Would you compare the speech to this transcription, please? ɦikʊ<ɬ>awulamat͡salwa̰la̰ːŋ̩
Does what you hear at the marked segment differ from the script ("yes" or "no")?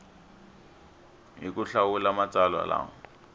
no